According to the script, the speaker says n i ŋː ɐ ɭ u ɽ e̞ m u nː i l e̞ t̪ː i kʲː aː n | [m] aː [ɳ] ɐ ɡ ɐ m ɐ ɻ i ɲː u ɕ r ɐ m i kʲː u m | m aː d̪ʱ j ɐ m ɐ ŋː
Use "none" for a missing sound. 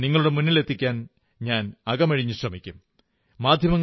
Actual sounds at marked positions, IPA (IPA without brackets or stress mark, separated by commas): ɲ, n